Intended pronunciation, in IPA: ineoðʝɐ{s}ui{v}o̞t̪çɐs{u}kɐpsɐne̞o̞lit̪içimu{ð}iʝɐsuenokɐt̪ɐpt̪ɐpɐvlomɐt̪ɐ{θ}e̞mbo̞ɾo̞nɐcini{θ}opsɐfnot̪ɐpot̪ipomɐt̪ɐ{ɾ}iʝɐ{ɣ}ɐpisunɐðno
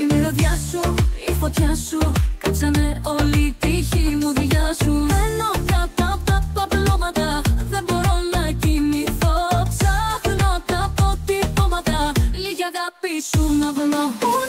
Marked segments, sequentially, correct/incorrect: correct, incorrect, correct, correct, incorrect, correct, incorrect, correct

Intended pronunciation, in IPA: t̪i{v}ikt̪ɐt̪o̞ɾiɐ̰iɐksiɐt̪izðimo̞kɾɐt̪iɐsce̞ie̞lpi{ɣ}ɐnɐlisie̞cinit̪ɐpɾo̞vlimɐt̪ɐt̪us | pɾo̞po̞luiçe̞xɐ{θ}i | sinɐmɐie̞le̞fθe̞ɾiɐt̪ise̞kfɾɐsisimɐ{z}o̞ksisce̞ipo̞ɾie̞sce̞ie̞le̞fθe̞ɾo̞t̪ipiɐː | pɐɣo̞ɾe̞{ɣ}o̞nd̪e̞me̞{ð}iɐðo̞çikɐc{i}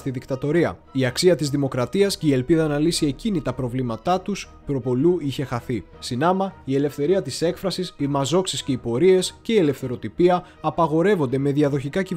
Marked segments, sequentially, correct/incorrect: incorrect, incorrect, correct, correct, incorrect, correct, correct

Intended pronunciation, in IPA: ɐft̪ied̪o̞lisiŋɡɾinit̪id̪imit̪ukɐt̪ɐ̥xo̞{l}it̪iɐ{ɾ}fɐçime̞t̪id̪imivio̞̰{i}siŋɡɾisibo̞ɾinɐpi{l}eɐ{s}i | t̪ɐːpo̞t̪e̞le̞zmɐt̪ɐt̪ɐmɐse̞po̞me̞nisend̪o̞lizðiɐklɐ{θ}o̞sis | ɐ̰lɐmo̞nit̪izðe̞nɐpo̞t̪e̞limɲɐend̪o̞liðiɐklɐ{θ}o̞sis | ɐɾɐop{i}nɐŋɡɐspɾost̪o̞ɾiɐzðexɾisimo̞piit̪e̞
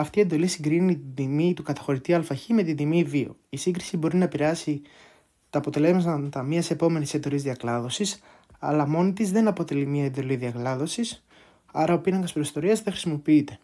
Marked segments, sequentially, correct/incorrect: incorrect, incorrect, correct, incorrect, correct, incorrect, incorrect, correct

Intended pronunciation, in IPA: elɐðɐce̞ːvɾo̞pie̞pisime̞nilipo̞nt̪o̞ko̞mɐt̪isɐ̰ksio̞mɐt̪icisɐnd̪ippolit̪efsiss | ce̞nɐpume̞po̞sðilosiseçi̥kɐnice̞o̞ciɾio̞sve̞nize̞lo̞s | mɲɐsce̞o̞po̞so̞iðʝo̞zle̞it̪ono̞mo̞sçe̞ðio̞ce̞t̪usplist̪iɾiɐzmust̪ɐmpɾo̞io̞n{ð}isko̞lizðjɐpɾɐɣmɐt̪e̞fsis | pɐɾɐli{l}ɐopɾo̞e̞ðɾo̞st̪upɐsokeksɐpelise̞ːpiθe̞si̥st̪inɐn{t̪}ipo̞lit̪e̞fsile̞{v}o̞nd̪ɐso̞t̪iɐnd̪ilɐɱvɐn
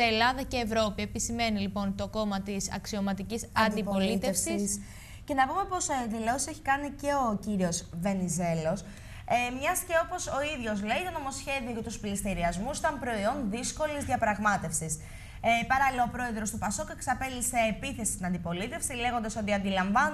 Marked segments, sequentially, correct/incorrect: correct, correct, incorrect, incorrect

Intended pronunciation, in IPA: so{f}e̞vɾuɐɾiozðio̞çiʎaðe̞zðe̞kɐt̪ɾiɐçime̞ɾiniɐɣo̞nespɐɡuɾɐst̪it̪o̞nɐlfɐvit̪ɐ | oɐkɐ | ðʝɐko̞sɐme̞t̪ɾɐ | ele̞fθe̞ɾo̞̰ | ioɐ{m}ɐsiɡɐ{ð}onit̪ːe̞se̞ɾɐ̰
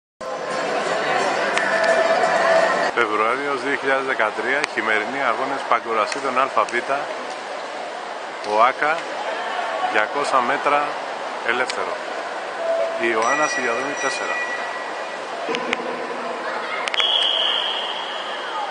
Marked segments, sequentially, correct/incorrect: correct, incorrect, correct

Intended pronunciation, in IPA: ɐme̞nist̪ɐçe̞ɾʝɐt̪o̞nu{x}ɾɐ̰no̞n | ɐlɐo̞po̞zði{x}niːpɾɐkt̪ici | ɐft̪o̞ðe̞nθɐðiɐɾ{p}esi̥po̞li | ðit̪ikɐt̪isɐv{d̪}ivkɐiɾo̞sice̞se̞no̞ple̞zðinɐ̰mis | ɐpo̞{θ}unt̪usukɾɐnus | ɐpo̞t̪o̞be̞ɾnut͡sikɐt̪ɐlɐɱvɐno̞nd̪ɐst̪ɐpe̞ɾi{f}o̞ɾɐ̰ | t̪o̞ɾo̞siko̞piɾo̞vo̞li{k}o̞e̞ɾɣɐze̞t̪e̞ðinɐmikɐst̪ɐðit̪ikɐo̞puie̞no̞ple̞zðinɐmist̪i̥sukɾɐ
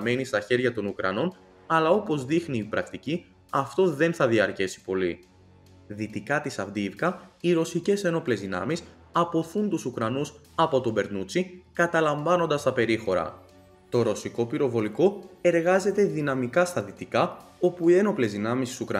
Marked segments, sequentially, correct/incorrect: incorrect, correct, incorrect, correct, correct, incorrect, correct

